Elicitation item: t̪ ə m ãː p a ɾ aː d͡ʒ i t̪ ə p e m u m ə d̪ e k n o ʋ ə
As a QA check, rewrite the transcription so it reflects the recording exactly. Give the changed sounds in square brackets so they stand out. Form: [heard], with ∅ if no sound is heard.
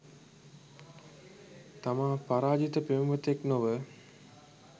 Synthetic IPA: t̪ [a] m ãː p a ɾ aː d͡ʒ i t̪ ə p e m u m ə [t̪] e k n o ʋ ə